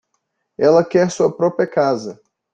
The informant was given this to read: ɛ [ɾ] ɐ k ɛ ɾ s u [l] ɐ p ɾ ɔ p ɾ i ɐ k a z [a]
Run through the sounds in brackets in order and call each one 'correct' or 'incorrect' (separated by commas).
incorrect, incorrect, incorrect